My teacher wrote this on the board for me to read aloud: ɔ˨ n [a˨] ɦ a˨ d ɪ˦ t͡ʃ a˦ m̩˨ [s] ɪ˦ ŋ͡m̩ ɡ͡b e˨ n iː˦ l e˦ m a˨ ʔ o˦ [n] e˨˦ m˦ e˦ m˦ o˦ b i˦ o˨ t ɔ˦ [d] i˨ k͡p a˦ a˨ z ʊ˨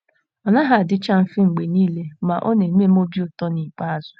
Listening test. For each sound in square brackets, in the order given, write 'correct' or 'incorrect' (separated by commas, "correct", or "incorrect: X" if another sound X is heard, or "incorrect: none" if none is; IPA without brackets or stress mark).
incorrect: a˦, incorrect: f, correct, incorrect: n